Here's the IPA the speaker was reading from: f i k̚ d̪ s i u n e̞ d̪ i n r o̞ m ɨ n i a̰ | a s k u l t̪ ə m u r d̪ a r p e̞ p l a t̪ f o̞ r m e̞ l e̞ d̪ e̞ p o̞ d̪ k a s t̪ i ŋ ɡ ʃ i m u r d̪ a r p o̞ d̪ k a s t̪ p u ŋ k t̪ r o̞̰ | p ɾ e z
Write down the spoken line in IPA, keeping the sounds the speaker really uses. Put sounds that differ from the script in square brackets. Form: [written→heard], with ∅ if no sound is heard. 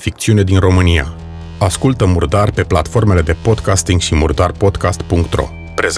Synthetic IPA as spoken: f i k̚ [d̪→t̪] s i u n e̞ d̪ i n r o̞ m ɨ n i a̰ | a s k u l t̪ ə m u r d̪ a r p e̞ p l a t̪ f o̞ r m e̞ l e̞ d̪ e̞ p o̞ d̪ k a s t̪ i ŋ ɡ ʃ i m u r d̪ a r p o̞ d̪ k a s t̪ p u ŋ k t̪ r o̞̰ | p ɾ e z